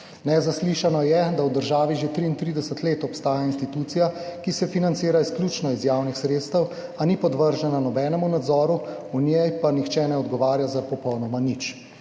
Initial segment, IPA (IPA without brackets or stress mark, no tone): n